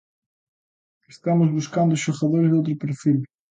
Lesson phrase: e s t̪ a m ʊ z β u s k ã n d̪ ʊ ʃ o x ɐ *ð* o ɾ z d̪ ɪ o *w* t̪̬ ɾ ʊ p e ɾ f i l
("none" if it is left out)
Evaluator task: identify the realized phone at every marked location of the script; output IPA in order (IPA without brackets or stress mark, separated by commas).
ð, w